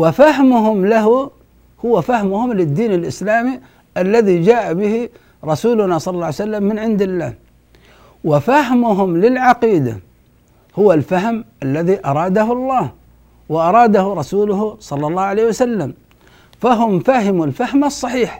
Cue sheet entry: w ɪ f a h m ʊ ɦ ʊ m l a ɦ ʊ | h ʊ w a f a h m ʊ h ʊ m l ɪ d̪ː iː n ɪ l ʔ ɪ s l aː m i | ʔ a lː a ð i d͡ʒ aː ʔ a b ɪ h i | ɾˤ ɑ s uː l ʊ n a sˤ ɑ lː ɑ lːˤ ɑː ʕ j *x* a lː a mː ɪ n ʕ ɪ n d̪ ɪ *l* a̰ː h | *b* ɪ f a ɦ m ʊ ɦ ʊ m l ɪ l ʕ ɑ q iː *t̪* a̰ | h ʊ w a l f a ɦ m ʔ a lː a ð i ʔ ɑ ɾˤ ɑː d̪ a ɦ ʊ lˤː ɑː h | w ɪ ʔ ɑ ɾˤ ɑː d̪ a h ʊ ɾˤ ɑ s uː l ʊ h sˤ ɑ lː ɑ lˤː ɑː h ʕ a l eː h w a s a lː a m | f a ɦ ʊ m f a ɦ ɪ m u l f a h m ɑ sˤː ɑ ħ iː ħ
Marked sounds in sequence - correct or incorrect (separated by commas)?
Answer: incorrect, incorrect, incorrect, incorrect